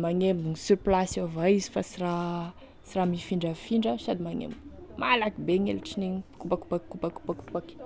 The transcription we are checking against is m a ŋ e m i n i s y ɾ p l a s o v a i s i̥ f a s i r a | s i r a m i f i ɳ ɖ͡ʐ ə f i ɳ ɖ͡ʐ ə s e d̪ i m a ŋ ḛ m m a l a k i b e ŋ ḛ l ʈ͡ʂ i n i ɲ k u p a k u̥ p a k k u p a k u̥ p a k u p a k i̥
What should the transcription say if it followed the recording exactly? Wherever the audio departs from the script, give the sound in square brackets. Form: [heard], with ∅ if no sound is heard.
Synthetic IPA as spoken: m a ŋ e m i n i s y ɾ p l a s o v a i [z] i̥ f a s i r a | s i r a m i f i ɳ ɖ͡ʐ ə f i ɳ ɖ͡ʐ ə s [a] d̪ i m a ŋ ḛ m m a l a k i b e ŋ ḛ l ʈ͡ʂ i n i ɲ k u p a k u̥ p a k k u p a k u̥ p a k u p a k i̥